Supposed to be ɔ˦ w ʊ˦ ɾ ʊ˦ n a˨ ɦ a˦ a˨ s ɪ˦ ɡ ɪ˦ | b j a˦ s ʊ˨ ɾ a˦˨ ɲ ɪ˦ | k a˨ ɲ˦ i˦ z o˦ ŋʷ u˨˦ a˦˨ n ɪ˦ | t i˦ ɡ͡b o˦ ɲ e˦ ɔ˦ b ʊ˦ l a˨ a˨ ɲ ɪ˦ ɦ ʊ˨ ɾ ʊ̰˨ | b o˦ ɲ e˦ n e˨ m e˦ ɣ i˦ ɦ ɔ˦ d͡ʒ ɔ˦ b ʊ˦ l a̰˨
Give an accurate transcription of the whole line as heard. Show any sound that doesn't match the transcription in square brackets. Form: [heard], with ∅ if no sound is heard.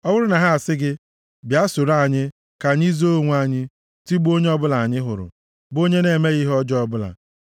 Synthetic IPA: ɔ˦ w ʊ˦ ɾ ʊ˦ n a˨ ɦ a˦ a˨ s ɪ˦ ɡ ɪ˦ | b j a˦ s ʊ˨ ɾ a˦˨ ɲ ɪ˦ | k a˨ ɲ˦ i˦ z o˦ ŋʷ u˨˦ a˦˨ [ɲ] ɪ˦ | t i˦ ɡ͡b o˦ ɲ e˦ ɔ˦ b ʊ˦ l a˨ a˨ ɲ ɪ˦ ɦ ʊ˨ ɾ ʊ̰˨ | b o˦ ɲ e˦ n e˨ m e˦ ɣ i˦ ɦ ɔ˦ d͡ʒ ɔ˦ b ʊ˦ l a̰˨